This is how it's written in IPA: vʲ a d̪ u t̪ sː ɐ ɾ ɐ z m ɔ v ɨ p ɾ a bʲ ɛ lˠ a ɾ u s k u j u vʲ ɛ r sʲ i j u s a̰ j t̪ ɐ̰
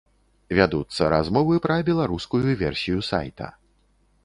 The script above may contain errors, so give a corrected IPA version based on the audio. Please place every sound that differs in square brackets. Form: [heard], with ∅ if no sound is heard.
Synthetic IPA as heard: vʲ a d̪ u t̪ sː ɐ ɾ [a] z m ɔ v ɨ p ɾ [ɐ] bʲ ɛ lˠ a ɾ u s k u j u vʲ ɛ r sʲ i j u s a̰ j t̪ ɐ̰